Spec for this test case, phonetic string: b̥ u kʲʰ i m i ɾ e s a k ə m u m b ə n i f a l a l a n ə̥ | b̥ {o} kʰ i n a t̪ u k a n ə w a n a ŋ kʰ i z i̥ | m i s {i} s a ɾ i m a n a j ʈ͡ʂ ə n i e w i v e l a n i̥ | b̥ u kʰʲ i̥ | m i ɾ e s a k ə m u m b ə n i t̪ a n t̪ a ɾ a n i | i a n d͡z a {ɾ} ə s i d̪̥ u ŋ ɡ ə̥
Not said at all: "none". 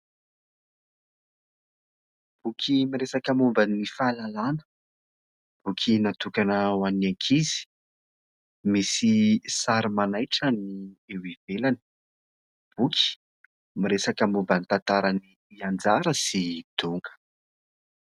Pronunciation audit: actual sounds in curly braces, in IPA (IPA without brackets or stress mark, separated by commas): u, i, ɾ